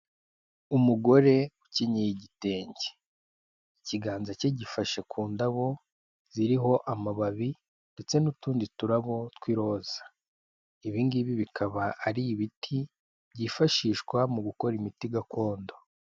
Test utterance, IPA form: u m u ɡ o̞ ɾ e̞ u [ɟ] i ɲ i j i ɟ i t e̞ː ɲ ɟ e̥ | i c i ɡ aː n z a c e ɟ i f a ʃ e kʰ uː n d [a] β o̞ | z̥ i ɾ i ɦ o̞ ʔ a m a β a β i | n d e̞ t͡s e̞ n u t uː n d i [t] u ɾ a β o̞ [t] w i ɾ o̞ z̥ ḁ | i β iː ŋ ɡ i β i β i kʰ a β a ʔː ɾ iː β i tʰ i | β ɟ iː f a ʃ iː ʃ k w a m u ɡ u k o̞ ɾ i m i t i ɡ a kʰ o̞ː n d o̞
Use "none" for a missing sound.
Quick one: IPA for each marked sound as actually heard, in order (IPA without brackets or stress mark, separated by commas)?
c, a, t, t